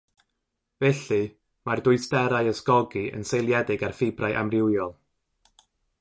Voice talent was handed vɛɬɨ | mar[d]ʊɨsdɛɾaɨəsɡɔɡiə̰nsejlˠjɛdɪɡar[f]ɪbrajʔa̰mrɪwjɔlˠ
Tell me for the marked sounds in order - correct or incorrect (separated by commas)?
correct, correct